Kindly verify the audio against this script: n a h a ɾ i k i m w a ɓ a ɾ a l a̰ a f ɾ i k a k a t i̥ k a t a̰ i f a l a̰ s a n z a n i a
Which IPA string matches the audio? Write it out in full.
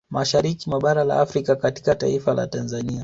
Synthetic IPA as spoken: m a ʃ a ɾ i k i m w a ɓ a ɾ a l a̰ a f ɾ i k a k a t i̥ k a t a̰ i f a l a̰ t a n z a n i a